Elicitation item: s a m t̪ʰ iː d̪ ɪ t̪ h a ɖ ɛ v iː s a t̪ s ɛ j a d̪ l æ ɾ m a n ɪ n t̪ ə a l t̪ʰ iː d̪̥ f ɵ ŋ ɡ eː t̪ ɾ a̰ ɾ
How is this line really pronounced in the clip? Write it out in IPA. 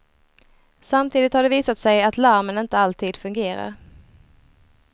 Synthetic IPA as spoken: s a m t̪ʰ iː d̪ ɪ t̪ h a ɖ ɛ v iː s a t̪ s ɛ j a t̪ l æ ɾ m ə n ɪ n t̪ ə a l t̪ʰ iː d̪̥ f ɵ ŋ ɡ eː ɾ a̰ ɾ